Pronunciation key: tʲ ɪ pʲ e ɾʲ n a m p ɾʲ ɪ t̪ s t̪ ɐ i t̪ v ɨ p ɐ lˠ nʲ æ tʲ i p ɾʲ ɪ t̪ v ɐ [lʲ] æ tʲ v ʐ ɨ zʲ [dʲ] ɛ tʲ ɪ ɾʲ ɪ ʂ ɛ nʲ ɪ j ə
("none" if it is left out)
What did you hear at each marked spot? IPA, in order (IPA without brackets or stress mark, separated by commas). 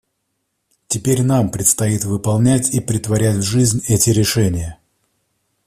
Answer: ɾʲ, nʲ